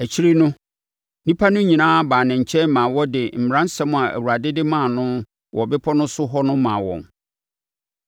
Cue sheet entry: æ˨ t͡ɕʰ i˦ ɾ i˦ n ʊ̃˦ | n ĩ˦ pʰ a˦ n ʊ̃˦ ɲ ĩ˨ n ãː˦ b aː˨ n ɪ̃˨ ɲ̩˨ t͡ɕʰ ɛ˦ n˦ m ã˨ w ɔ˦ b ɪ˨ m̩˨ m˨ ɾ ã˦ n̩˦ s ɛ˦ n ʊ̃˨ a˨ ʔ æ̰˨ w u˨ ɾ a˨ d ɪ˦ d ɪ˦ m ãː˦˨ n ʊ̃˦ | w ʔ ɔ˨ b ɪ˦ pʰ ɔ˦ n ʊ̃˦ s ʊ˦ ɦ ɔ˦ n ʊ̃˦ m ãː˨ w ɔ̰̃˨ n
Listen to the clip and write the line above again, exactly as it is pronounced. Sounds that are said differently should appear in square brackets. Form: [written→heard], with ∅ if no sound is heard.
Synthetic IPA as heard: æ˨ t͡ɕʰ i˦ ɾ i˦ n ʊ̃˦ | n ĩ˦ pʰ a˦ n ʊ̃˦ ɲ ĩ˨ n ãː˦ b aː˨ n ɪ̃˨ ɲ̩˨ t͡ɕʰ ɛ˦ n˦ m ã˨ w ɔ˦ [b→d] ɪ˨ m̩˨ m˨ ɾ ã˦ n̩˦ s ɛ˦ [n→m] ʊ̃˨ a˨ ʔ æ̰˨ w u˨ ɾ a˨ d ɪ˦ d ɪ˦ m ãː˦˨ n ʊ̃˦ | w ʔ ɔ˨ b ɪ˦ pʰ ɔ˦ n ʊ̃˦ s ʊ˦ ɦ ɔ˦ n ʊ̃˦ m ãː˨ w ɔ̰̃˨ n